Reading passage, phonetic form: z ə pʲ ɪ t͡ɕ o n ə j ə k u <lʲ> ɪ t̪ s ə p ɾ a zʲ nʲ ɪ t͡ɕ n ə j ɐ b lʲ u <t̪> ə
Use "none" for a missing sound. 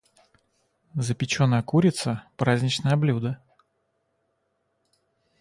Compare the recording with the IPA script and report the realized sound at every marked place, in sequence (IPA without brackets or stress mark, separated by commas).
ɾʲ, d̪